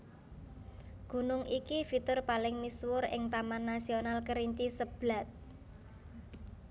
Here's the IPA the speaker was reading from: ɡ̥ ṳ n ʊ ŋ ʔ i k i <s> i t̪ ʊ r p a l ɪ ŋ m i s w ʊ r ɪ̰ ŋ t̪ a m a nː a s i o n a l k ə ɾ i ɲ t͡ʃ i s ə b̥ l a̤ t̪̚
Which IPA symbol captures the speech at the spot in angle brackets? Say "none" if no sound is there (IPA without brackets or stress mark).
f